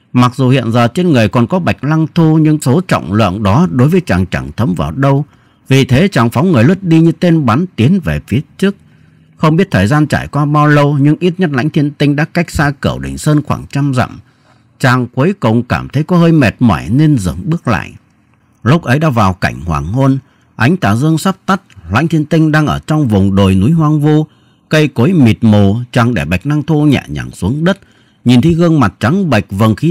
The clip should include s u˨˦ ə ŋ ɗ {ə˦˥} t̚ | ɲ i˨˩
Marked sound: correct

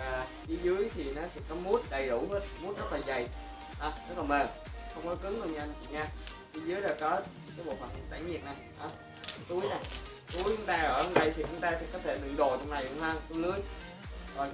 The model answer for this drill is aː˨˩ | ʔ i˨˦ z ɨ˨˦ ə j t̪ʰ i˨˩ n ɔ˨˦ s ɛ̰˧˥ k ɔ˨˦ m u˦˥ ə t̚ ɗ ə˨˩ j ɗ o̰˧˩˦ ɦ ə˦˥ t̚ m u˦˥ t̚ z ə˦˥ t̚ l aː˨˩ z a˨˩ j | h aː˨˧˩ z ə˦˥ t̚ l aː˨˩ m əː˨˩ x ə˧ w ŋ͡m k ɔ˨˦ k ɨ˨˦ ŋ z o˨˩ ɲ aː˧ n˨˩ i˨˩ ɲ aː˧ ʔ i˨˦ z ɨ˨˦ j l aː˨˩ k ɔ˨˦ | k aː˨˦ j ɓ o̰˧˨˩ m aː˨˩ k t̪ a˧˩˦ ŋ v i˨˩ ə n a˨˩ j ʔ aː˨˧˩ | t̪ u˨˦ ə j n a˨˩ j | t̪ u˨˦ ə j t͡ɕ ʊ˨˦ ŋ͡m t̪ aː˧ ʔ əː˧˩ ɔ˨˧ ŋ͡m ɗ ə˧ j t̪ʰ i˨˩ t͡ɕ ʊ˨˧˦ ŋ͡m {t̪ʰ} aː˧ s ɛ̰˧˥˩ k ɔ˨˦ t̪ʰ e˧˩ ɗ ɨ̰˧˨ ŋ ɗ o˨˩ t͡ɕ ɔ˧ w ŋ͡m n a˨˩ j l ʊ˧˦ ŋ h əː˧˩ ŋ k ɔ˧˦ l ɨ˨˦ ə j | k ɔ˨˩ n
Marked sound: incorrect: t̪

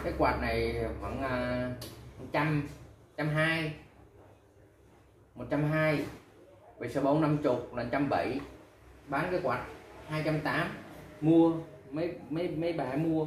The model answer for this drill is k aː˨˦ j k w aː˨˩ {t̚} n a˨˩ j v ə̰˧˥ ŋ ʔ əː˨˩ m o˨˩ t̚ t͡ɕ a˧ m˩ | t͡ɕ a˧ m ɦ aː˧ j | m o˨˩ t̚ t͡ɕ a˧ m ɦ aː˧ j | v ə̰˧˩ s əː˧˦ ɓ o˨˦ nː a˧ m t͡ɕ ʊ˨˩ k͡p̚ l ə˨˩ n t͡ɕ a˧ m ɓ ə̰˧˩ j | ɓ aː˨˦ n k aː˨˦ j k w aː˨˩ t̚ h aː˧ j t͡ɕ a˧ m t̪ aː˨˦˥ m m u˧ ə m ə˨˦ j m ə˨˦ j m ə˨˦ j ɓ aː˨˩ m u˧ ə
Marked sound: correct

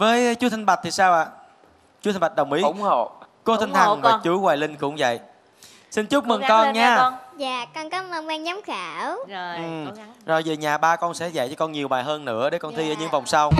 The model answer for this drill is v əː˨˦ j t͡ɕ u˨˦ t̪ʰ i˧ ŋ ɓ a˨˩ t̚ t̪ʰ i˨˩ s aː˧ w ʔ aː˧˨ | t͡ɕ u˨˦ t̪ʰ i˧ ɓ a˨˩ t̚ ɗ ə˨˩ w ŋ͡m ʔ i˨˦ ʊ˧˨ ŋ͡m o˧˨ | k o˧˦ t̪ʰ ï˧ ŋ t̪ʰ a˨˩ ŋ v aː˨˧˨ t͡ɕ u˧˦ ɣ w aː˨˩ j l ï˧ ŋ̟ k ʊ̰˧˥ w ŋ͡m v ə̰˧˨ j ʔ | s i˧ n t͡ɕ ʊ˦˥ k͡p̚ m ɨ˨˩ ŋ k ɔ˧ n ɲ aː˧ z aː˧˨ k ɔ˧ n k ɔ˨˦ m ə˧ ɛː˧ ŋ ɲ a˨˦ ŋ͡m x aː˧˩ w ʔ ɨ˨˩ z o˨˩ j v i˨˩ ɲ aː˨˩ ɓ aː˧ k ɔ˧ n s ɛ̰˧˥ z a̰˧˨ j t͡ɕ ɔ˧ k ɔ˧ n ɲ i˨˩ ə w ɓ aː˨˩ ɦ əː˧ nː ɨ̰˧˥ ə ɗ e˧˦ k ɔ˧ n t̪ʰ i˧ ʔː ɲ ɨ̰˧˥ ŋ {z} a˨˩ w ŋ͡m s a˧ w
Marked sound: incorrect: v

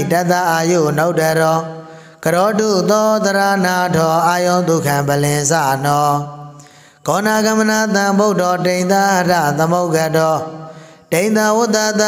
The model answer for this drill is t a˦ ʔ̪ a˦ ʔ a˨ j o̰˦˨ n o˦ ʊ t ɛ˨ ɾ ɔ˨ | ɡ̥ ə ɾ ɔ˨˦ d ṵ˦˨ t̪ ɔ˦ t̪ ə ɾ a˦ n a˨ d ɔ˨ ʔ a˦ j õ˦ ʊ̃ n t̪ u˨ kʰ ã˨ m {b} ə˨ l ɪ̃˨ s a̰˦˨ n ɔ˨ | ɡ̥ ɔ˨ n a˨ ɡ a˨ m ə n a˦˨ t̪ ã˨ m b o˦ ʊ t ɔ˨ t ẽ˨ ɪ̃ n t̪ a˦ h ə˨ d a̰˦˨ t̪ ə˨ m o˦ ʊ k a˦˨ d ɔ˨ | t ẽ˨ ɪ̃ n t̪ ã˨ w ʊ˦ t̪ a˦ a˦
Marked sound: correct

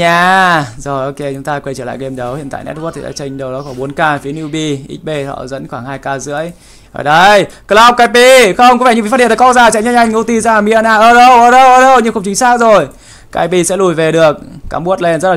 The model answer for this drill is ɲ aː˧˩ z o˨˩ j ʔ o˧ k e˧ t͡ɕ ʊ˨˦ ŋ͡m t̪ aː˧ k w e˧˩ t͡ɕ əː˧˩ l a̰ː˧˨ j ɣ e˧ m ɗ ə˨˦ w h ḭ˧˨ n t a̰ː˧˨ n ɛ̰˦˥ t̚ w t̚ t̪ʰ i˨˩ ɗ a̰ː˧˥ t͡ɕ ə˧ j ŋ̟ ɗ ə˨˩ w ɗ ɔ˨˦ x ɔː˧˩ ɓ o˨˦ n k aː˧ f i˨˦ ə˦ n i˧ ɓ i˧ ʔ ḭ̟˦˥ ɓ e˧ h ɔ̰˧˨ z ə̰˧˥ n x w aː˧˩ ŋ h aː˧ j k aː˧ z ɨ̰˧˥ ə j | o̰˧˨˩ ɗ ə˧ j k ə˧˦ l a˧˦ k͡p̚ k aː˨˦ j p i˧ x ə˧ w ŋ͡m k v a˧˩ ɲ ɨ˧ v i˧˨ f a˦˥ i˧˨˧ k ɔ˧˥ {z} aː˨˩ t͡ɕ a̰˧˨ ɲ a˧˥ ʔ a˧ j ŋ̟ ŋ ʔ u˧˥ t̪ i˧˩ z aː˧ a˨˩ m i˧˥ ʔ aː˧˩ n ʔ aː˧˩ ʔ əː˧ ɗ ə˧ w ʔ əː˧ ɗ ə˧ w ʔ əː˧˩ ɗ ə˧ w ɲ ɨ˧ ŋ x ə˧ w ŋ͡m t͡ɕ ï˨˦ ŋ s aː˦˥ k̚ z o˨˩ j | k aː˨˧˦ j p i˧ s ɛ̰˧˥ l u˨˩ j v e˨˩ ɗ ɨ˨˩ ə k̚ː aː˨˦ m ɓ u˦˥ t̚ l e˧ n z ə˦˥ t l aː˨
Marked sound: correct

